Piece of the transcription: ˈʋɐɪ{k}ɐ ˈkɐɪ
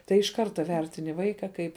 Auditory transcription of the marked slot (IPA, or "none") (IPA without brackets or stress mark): k